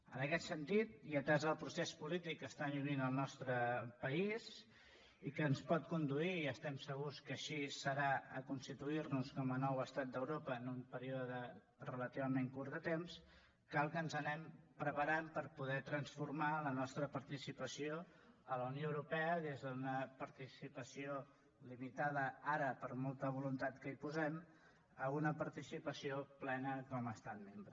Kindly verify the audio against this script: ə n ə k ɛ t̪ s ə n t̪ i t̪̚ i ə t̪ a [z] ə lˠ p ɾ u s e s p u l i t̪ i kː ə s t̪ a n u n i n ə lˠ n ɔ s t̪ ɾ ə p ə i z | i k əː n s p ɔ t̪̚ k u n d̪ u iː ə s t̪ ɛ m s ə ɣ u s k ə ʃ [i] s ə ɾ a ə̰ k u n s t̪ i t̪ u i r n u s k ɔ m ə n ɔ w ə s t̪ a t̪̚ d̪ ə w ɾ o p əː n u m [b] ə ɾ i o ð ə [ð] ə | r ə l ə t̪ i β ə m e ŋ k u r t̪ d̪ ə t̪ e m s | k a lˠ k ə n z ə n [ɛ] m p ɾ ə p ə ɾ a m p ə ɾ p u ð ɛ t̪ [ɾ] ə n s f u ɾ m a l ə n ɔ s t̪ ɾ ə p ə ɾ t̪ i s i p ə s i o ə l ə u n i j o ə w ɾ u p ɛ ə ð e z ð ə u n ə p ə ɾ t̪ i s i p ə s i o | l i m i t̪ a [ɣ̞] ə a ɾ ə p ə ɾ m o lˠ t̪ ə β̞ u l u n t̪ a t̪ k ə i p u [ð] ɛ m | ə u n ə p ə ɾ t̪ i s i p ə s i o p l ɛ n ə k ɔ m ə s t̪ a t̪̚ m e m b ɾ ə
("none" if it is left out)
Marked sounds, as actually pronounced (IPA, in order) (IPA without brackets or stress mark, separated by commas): z, i, p, ð, ɛ, ɾ, ð̞, z